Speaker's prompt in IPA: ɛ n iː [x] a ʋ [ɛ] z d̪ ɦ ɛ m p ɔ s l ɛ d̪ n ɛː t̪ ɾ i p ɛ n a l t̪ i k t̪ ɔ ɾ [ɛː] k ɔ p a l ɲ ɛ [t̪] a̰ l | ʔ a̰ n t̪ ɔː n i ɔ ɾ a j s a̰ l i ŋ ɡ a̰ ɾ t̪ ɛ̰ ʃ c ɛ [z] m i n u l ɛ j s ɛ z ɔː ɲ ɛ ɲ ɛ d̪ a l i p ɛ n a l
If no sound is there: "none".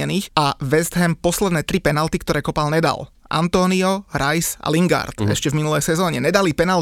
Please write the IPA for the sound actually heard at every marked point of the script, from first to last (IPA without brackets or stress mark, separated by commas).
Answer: x, ɛ, ɛː, d̪, v